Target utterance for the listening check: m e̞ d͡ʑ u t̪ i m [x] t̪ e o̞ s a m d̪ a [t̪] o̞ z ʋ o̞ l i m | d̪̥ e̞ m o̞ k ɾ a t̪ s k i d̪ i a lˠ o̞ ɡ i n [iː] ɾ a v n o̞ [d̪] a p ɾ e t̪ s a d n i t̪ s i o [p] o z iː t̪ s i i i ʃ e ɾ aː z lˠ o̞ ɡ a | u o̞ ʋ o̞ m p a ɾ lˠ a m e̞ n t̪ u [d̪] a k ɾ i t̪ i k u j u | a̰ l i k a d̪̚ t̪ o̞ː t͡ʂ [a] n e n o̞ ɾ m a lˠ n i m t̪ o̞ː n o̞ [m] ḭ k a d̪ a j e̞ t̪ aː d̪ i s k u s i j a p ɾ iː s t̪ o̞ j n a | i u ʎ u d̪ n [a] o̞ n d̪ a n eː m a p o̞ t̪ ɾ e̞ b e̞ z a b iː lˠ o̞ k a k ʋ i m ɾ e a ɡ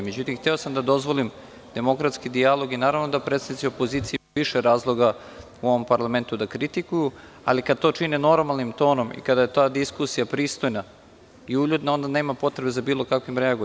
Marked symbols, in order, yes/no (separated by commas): yes, no, no, yes, yes, yes, no, yes, yes